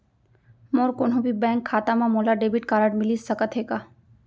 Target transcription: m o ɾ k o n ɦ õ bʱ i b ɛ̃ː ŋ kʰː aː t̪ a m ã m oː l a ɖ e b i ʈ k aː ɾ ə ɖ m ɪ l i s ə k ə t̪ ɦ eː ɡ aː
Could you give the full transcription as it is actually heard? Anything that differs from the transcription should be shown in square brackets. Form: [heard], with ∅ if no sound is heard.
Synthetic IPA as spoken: m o ɾ k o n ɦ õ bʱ i b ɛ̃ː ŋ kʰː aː t̪ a m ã m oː l a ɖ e b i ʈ k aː ɾ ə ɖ m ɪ l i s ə k ə t̪ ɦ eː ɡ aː